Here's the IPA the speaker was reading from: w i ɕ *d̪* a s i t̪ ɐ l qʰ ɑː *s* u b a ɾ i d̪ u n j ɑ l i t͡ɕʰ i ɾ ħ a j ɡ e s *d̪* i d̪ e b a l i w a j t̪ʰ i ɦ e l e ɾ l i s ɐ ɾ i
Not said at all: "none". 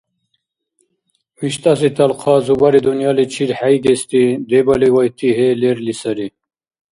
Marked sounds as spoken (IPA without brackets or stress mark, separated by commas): t̪, z, t̪